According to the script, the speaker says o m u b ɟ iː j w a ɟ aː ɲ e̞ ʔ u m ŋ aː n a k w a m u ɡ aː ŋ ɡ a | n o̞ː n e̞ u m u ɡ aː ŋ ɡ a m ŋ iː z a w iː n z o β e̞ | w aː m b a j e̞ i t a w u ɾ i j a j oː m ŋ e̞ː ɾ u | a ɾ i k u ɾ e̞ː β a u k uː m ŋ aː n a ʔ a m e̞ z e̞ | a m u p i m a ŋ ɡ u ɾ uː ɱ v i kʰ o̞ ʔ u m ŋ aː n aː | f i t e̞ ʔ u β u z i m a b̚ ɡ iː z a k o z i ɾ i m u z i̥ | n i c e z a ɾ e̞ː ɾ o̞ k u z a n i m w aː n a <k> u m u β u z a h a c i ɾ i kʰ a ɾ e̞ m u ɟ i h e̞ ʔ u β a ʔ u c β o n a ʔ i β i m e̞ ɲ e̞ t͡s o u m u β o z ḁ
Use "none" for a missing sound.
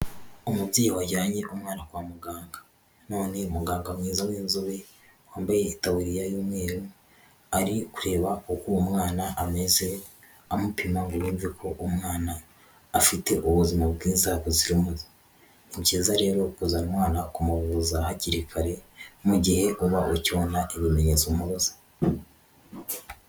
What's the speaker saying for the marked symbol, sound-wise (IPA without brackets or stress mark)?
k